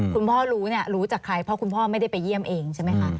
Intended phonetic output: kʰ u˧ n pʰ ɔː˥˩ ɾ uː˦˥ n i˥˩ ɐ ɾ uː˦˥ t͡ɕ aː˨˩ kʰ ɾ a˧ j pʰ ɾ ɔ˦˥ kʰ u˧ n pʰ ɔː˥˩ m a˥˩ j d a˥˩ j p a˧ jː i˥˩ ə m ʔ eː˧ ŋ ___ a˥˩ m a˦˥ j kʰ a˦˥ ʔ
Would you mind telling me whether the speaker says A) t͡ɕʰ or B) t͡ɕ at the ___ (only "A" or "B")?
A